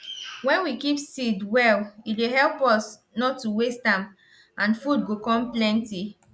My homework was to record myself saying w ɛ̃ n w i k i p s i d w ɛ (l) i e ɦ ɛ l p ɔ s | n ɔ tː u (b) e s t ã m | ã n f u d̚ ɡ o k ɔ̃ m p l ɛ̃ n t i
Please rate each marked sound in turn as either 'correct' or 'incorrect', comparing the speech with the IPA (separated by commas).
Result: correct, incorrect